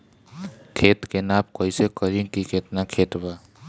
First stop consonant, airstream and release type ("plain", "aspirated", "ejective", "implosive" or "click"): aspirated